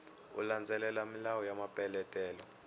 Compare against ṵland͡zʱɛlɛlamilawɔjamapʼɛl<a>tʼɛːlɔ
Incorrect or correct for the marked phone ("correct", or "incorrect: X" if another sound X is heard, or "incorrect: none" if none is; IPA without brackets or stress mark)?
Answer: incorrect: ɛ